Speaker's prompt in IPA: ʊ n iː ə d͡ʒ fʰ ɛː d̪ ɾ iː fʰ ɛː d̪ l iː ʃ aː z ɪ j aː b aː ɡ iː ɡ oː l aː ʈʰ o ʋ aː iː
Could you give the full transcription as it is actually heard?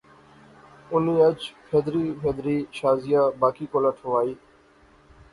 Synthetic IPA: ʊ n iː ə d͡ʒ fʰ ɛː d̪ ɾ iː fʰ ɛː d̪ ɾ iː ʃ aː z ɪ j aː b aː k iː k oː l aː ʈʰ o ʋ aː iː